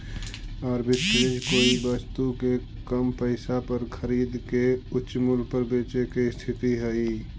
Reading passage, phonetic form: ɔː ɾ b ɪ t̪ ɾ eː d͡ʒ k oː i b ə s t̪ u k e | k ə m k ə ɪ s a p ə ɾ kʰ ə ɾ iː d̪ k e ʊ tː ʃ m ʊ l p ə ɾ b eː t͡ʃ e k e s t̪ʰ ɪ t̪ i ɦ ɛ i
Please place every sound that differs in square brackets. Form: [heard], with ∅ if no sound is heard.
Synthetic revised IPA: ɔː ɾ b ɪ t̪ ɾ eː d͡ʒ k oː i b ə s t̪ u k e | k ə m [p] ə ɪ s a p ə ɾ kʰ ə ɾ iː d̪ k e ʊ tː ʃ m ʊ l p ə ɾ b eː t͡ʃ e k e s t̪ʰ ɪ t̪ i ɦ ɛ i